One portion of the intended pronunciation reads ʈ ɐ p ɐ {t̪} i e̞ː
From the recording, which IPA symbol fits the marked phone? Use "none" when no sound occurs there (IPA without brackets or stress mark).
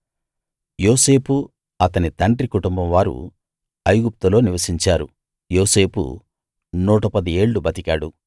d̪